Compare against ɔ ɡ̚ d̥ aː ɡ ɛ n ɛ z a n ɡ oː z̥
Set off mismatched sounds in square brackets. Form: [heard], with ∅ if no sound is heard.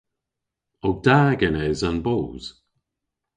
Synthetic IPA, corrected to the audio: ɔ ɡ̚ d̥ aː ɡ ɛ n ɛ z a n [b] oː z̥